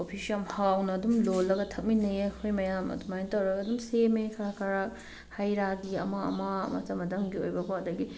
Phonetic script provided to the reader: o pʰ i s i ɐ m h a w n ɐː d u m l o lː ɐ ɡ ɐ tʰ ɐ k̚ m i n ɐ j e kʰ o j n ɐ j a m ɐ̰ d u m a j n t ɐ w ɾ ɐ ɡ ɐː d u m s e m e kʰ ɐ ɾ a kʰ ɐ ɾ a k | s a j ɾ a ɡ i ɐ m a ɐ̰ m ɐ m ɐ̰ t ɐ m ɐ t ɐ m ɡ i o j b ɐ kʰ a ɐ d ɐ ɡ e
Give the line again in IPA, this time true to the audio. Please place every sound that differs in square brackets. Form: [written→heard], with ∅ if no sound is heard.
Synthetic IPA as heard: o pʰ i s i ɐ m h a w n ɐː d u m l o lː ɐ ɡ ɐ tʰ ɐ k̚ m i n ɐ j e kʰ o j [n→m] ɐ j a m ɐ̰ d u m a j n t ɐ w ɾ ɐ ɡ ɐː d u m s e m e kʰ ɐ ɾ a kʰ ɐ ɾ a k | [s→h] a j ɾ a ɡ i ɐ m a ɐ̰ m [ɐ→a] m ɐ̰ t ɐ m ɐ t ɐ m ɡ i o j b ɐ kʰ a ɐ d ɐ ɡ [e→i]